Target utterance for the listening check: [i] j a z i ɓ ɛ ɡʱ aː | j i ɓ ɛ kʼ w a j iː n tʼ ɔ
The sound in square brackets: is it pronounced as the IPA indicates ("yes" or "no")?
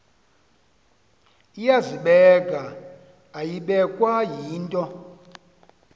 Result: yes